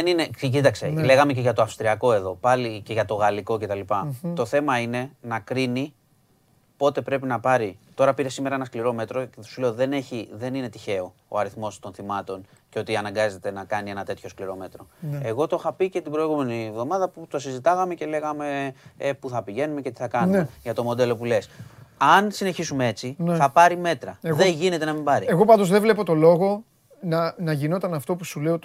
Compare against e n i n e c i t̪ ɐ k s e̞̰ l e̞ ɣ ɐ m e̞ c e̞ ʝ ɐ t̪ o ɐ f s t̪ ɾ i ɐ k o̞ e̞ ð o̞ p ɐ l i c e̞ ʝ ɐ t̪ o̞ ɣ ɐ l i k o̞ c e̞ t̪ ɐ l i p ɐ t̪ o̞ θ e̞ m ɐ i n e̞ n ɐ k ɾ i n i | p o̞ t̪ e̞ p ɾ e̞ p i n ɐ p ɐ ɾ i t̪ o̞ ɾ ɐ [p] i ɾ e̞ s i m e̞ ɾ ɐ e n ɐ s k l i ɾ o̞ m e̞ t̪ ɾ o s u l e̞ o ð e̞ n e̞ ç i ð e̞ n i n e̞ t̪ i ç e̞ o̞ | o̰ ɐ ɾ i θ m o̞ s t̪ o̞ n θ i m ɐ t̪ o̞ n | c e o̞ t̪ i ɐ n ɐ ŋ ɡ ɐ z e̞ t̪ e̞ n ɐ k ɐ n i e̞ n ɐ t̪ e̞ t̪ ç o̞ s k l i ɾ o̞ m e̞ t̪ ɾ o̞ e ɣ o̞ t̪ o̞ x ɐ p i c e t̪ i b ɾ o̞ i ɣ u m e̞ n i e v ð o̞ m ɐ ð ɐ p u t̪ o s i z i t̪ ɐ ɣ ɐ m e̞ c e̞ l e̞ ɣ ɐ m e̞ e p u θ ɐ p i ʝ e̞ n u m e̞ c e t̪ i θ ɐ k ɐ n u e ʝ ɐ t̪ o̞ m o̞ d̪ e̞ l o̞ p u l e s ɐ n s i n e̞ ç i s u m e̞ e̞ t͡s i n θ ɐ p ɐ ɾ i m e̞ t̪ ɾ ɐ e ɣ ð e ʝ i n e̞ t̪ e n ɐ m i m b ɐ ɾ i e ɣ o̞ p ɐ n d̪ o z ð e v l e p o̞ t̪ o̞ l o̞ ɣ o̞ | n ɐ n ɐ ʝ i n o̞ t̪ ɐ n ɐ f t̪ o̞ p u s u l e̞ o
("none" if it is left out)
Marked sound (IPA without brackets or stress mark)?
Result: p